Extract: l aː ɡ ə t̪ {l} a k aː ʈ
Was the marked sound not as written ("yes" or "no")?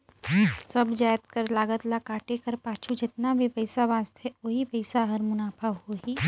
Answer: no